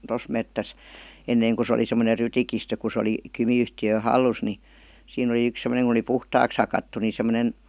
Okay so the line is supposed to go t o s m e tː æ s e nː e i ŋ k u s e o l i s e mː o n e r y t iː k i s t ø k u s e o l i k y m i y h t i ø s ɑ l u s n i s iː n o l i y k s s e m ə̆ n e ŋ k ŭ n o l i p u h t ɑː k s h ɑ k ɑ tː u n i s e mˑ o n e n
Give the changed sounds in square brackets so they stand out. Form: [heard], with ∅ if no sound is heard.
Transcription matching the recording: t o s m e tː æ s e nː e i ŋ k u s e o l i s e mː o n e r y t [i] k i s t ø k u s e o l i k y m i y h t i ø [h] ɑ [lː] u s n i s iː n o l i y k s s e m ə̆ n e ŋ k ŭ n o l i p u h t ɑː k s h ɑ k ɑ tː u n i s e mˑ o n e n